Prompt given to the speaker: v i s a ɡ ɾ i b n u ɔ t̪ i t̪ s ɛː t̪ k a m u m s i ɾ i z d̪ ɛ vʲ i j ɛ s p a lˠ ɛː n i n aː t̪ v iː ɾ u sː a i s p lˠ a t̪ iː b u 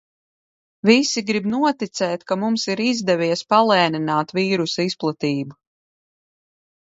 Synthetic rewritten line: v i s i ɡ ɾ i b n u ɔ t̪ i t̪ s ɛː t̪ k a m u m s i ɾ i z d̪ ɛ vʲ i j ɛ s p a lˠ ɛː n i n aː t̪ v iː ɾ u s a i s p lˠ a t̪ iː b u